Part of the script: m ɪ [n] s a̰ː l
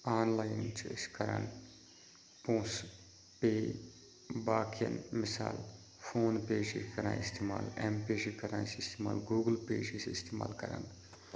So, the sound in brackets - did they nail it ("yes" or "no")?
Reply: no